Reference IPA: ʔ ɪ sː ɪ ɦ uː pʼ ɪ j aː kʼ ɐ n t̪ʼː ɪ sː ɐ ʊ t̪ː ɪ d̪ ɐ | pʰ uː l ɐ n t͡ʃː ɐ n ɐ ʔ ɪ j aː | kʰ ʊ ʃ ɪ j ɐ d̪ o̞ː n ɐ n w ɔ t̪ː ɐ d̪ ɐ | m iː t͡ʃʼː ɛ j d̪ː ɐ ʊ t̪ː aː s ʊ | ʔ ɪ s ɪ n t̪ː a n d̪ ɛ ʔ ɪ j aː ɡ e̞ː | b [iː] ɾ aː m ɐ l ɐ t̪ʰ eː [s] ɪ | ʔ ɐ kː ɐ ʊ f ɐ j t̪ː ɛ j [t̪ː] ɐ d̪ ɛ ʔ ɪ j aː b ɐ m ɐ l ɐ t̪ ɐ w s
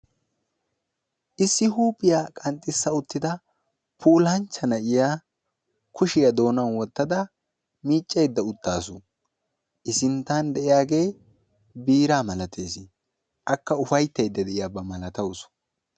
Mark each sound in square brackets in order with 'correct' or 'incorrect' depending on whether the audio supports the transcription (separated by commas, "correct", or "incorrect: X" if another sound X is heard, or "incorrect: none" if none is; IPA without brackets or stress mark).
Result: correct, correct, incorrect: d̪ː